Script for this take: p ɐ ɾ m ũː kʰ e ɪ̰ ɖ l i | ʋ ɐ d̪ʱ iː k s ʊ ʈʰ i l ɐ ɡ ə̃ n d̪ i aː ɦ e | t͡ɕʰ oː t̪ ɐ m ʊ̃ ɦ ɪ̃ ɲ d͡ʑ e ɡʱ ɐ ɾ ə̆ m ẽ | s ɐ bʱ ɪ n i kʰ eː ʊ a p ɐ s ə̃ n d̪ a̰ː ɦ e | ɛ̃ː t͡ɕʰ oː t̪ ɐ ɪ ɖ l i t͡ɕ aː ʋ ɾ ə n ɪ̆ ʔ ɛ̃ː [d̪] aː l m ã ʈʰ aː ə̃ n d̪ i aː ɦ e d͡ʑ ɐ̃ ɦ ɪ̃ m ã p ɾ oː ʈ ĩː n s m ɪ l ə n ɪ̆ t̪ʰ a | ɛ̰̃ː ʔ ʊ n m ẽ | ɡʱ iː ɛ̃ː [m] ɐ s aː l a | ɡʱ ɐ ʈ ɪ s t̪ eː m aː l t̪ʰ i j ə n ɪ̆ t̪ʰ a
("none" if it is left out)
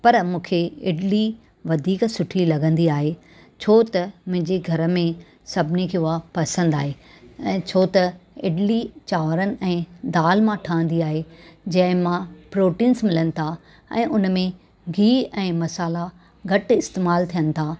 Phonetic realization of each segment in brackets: d̪, m

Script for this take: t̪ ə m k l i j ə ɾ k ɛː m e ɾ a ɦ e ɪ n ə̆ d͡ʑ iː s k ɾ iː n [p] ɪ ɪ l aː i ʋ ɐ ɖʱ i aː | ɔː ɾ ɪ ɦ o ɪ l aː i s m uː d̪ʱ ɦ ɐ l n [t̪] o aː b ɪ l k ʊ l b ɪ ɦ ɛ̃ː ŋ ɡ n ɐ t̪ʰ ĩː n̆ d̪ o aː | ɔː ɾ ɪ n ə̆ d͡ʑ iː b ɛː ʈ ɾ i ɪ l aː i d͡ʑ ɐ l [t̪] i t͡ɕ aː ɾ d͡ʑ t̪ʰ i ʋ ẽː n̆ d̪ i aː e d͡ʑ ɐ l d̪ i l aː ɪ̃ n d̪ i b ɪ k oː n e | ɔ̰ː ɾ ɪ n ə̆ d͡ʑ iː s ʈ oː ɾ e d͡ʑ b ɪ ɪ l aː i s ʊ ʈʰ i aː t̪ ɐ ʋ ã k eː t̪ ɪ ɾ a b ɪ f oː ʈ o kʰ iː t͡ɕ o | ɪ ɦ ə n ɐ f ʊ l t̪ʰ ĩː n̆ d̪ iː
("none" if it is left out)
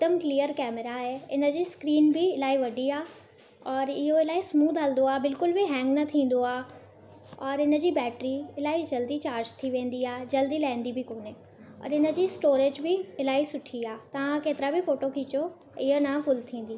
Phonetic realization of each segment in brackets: b, d̪, d̪

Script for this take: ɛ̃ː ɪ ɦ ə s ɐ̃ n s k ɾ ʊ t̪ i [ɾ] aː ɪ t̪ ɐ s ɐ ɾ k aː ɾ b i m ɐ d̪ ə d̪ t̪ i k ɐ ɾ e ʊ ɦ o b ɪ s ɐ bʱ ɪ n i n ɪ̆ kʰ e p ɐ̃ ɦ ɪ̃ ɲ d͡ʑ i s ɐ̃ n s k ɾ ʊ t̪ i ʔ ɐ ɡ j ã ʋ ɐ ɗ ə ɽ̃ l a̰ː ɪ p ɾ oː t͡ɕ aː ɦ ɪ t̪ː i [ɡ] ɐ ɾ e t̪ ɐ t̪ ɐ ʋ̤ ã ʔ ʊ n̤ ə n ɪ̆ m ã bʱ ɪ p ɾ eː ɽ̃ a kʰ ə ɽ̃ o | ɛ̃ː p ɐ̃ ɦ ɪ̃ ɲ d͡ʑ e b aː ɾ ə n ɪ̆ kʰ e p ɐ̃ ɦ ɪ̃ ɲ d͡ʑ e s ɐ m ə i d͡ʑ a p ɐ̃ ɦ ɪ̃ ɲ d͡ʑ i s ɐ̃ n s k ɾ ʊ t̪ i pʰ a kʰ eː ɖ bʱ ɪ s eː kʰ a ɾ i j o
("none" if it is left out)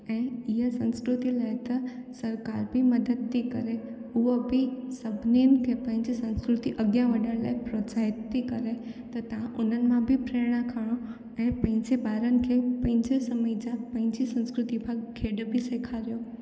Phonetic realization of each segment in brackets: l, k

